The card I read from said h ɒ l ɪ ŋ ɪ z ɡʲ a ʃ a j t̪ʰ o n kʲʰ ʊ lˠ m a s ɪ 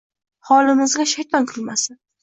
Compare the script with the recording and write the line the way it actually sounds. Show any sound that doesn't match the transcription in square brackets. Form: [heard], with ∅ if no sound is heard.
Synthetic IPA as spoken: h ɒ l ɪ [m] ɪ z ɡʲ a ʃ a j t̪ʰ [ɒ] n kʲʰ ʊ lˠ m a s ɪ